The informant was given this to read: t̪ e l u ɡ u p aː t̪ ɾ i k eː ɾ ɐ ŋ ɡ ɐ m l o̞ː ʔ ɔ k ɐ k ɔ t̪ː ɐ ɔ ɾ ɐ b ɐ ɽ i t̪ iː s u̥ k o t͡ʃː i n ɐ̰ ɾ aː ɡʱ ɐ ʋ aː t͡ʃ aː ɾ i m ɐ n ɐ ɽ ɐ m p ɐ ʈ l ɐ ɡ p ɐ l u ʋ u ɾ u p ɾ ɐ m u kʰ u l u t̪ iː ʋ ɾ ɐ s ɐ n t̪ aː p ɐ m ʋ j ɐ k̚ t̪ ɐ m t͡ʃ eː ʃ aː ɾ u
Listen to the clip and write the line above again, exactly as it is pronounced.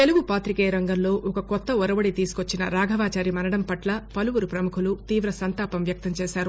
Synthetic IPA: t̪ e l u ɡ u p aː t̪ ɾ i k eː ɾ ɐ ŋ ɡ ɐ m l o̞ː ʔ ɔ k ɐ k ɔ t̪ː ɐ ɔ ɾ ɐ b ɐ ɽ i t̪ iː s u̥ k o t͡ʃː i n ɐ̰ ɾ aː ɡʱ ɐ ʋ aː t͡ʃ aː ɾ i m ɐ n ɐ ɽ ɐ m p ɐ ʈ l ɐ p ɐ l u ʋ u ɾ u p ɾ ɐ m u kʰ u l u t̪ iː ʋ ɾ ɐ s ɐ n t̪ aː p ɐ m ʋ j ɐ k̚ t̪ ɐ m t͡ʃ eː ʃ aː ɾ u